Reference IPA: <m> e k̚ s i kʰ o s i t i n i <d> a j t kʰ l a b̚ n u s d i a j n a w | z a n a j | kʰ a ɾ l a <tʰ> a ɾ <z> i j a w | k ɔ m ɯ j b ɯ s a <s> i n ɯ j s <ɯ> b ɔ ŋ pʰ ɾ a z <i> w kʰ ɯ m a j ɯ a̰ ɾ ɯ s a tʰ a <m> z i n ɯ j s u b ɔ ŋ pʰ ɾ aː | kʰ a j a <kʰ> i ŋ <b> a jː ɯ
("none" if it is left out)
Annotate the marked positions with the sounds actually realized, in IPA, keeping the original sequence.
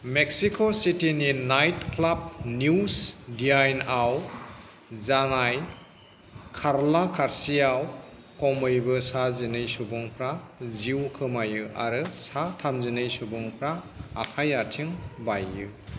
m, n, kʰ, s, z, u, i, m, tʰ, b

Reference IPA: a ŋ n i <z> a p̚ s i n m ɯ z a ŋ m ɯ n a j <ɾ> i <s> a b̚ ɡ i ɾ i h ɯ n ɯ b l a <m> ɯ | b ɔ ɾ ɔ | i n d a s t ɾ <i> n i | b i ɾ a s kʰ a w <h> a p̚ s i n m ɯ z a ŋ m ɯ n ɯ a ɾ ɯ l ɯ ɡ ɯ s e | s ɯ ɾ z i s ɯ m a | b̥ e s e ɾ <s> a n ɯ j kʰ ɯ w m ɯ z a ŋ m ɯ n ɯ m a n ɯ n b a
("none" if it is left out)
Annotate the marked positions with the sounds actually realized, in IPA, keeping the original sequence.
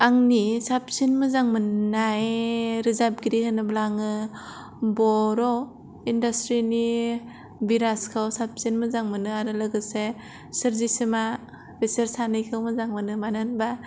s, ɾ, z, ŋ, i, s, s

